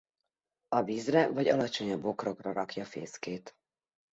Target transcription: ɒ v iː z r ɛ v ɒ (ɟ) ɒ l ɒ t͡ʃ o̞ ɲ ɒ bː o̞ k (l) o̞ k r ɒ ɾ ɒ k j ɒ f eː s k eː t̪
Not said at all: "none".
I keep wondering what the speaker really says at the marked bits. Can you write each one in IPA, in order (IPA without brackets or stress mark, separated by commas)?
ɟ, r